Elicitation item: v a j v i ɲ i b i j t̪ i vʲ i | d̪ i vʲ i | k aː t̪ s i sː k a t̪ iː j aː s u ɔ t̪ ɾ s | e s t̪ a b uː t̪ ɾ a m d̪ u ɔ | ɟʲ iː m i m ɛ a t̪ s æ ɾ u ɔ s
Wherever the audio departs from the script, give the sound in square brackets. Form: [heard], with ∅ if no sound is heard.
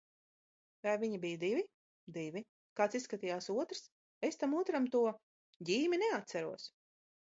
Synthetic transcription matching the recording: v a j v i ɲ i b i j [d̪] i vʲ i | d̪ i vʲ i | k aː t̪ s i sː k a t̪ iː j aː s u ɔ t̪ ɾ s | e s t̪ a [m] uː t̪ ɾ a m [t̪] u ɔ | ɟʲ iː m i [n] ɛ a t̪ s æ ɾ u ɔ s